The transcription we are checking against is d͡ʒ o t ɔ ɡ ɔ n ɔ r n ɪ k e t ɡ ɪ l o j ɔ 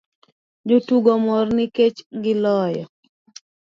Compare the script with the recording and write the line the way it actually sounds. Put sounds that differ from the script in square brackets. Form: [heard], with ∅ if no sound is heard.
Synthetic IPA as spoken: d͡ʒ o t [u] ɡ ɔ [m] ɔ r n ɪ k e [t͡ʃ] ɡ ɪ l [ɔ] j ɔ